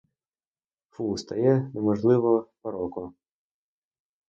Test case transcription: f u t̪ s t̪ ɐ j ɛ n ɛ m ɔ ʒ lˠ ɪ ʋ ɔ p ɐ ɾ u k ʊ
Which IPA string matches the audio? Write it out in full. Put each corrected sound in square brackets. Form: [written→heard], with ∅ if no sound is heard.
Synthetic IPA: f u [t̪→∅] s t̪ ɐ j ɛ n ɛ m ɔ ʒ lˠ ɪ ʋ ɔ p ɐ ɾ [u→ɔ] k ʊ

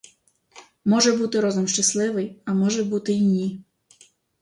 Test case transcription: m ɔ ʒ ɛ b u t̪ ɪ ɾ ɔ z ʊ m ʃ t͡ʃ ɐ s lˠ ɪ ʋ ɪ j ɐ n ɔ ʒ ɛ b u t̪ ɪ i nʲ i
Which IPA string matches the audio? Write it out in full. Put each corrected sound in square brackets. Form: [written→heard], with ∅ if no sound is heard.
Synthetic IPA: m ɔ ʒ ɛ b u t̪ ɪ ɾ ɔ z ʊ m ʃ t͡ʃ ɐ s lˠ ɪ ʋ ɪ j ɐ [n→m] ɔ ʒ ɛ b u t̪ ɪ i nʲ i

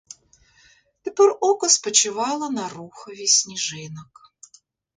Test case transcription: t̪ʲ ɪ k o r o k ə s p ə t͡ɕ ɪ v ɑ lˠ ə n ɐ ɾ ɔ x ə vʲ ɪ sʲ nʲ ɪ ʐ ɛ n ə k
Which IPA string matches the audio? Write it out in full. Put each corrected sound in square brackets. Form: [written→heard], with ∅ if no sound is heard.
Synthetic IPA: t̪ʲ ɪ [k→p] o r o k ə s p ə t͡ɕ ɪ v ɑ lˠ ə n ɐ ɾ [ɔ→u] x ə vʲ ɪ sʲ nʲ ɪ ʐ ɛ n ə k

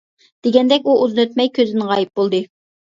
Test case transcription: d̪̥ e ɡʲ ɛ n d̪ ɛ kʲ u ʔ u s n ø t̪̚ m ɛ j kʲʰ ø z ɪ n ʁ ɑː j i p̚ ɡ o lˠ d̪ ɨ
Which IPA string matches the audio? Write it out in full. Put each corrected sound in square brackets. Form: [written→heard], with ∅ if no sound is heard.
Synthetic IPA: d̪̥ e ɡʲ ɛ n d̪ ɛ kʲ u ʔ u [s→z] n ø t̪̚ m ɛ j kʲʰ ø z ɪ n ʁ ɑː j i p̚ [ɡ→b] o lˠ d̪ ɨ

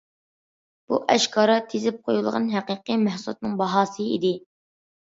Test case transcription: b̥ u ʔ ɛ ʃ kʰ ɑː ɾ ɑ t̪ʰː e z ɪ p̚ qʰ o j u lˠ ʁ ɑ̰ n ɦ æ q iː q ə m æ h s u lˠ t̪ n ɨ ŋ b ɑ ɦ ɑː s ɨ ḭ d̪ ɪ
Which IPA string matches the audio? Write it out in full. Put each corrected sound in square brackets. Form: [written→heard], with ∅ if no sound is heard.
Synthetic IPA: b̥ u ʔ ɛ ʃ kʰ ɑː ɾ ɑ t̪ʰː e z ɪ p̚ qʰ o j u lˠ ʁ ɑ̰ n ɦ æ q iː q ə m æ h s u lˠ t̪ n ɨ ŋ b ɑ ɦ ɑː s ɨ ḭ d̪ ɪ

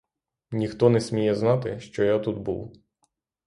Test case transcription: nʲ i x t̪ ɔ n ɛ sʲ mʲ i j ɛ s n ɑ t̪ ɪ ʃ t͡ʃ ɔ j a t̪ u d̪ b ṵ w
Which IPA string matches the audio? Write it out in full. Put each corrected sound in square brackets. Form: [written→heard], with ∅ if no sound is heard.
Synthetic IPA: nʲ i x t̪ ɔ n ɛ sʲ mʲ i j ɛ [s→z] n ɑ t̪ ɪ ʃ t͡ʃ ɔ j a t̪ u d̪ b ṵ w

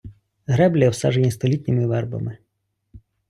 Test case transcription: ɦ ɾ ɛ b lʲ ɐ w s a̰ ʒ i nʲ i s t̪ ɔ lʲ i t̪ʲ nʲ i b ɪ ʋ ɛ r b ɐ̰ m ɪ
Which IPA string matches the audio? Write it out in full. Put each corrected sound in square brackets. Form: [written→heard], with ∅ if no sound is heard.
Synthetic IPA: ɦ ɾ ɛ b lʲ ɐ w s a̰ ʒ [i→e] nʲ i s t̪ ɔ lʲ i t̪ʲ nʲ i [b→m] ɪ ʋ ɛ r b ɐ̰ m ɪ

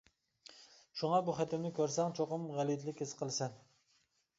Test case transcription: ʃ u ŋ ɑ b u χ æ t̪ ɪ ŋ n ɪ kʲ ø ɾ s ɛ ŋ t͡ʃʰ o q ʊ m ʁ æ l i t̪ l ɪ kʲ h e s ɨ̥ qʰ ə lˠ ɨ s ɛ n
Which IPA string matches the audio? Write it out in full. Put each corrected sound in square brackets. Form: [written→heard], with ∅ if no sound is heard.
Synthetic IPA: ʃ u ŋ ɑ b u χ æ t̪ ɪ [ŋ→m] n ɪ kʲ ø ɾ s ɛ ŋ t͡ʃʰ o q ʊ m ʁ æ l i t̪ l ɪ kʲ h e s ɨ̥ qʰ ə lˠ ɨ s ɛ n

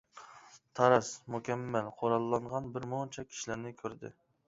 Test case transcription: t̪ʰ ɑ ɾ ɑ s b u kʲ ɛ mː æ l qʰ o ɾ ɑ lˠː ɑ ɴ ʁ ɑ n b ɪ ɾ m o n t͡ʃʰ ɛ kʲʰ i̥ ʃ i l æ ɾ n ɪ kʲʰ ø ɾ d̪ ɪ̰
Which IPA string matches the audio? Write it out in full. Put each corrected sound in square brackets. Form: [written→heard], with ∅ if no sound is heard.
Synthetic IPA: t̪ʰ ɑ ɾ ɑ s [b→m] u kʲ ɛ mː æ l qʰ o ɾ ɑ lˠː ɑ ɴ ʁ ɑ n b ɪ ɾ m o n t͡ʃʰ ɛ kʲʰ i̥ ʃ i l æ ɾ n ɪ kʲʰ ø ɾ d̪ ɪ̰

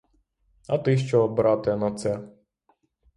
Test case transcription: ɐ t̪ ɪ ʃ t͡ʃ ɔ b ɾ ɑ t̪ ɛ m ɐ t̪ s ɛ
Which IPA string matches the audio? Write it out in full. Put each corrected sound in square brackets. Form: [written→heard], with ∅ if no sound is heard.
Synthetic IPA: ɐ t̪ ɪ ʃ t͡ʃ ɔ b ɾ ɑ t̪ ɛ [m→n] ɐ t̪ s ɛ

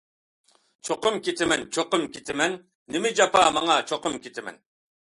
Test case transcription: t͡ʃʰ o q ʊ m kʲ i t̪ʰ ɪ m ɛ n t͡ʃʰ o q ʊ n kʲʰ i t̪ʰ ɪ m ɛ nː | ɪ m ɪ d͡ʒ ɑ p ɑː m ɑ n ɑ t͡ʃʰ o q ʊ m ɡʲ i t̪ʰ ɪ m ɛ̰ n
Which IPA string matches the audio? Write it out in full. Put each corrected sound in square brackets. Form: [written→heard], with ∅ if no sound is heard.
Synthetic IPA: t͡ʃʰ o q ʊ m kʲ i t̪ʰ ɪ m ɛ n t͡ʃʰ o q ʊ [n→m] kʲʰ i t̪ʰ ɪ m ɛ nː | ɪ m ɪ d͡ʒ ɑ p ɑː m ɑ [n→ŋ] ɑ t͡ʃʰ o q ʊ m [ɡʲ→kʲ] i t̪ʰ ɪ m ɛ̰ n

